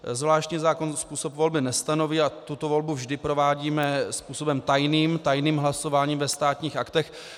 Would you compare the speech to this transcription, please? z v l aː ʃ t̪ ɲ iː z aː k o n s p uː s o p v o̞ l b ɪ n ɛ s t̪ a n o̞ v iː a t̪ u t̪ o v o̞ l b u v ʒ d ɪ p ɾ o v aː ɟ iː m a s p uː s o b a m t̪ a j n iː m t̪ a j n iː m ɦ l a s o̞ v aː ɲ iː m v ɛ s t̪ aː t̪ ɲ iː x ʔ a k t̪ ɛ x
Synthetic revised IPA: z v l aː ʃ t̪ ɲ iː z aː k o n s p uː s o p v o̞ l b ɪ n ɛ s t̪ a n o̞ v iː a t̪ u t̪ o v o̞ l b u v ʒ d ɪ p ɾ o v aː ɟ iː m ɛ s p uː s o b ɛ m t̪ a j n iː m t̪ a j n iː m ɦ l a s o̞ v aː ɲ iː m v ɛ s t̪ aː t̪ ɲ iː x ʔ a k t̪ ɛ x